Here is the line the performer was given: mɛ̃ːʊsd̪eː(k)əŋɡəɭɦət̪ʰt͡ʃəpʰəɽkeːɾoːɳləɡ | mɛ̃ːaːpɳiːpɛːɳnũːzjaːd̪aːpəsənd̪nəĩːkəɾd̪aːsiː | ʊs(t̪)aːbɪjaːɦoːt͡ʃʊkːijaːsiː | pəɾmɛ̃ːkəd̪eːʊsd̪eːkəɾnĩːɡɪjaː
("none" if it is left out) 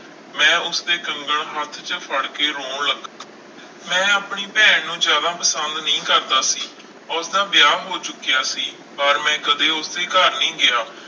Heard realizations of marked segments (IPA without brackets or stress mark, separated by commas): k, d̪